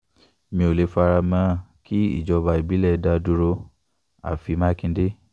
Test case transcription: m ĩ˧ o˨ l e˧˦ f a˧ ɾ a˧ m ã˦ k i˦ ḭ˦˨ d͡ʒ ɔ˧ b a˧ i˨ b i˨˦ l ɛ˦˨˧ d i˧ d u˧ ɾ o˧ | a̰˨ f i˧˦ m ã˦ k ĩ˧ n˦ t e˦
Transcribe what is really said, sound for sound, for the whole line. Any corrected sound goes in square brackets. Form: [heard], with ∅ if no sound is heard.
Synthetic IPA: m ĩ˧ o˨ l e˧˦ f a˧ ɾ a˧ m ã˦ k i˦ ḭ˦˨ d͡ʒ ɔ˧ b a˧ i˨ b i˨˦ l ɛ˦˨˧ d [a˧] d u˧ ɾ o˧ | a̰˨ f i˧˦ m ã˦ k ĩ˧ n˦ [d] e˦